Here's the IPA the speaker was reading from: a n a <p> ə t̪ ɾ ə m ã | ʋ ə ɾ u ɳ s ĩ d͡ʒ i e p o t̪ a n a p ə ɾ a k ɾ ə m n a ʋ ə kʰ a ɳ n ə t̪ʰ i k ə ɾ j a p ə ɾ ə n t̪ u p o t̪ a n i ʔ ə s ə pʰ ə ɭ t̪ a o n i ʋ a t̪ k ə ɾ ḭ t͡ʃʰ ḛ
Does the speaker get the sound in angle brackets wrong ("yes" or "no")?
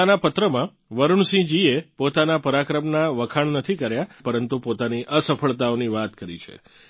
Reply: no